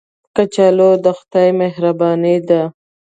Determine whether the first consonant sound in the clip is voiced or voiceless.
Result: voiceless